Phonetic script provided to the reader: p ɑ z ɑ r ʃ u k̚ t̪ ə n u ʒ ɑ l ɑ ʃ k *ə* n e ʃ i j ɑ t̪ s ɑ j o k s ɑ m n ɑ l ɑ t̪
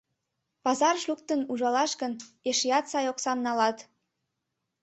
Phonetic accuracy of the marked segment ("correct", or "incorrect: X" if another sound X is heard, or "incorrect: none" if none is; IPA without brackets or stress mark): correct